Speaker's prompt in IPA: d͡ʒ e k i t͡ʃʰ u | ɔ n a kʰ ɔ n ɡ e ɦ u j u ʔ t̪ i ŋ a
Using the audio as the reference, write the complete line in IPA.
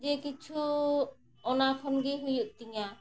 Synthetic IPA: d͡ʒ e k i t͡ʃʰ u | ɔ n a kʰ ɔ n ɡ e ɦ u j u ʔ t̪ i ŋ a